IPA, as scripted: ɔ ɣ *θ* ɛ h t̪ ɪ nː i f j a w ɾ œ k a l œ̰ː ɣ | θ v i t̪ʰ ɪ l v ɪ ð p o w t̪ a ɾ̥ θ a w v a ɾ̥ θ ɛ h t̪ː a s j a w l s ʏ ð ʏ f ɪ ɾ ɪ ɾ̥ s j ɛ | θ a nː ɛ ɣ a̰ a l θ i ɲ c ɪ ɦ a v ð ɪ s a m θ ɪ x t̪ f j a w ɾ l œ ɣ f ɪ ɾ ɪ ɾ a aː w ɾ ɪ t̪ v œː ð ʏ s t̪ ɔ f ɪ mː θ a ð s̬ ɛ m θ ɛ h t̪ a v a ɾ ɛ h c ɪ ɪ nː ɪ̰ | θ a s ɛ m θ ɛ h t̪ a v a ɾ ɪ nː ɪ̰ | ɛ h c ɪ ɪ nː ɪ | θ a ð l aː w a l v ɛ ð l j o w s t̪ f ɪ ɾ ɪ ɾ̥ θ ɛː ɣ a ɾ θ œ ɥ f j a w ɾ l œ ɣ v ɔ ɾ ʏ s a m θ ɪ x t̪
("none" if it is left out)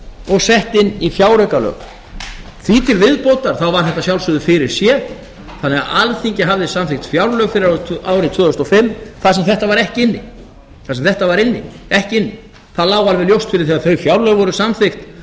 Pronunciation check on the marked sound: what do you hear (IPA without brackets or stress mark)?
s